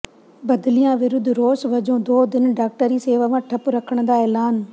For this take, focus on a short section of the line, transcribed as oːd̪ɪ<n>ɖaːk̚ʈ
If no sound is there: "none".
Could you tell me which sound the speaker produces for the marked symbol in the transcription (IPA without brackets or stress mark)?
n